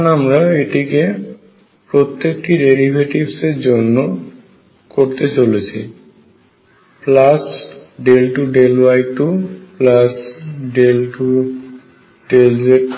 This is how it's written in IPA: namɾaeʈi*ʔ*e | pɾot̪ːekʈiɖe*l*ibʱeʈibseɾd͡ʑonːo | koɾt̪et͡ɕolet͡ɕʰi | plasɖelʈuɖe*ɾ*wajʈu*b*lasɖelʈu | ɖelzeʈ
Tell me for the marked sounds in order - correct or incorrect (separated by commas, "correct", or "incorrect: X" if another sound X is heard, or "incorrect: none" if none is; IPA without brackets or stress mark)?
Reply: incorrect: k, incorrect: ɾ, incorrect: l, incorrect: p